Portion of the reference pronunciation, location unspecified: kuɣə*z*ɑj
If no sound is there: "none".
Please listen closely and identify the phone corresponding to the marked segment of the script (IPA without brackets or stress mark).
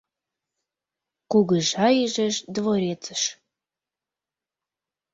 ʒ